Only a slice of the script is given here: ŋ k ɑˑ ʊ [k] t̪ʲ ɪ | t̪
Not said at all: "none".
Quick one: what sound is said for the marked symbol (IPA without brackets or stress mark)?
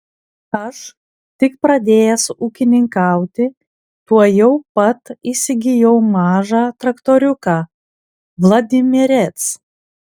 none